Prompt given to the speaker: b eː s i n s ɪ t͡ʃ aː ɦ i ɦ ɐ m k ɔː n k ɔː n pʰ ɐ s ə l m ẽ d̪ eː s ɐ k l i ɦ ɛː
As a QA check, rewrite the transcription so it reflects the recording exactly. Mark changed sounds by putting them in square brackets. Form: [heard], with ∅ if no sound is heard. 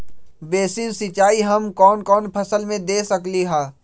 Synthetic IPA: b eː s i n s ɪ t͡ʃ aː [∅] i ɦ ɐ m k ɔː n k ɔː n pʰ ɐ s ə l m ẽ d̪ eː s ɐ k l i ɦ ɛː